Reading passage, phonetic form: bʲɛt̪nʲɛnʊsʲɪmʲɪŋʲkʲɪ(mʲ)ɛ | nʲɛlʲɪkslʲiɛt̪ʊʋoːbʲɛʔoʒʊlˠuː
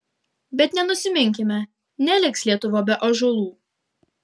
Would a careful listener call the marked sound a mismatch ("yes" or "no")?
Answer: no